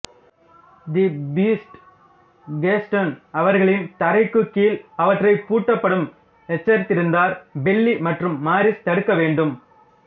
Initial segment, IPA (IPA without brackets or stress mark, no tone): d̪